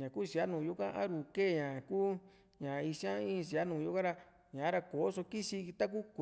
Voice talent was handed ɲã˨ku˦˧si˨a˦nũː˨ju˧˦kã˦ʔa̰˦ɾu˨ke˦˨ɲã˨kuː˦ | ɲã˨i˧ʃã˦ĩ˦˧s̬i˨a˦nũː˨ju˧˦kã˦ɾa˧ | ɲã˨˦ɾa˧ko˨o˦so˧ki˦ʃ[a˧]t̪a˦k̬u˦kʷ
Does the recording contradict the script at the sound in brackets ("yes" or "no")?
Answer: yes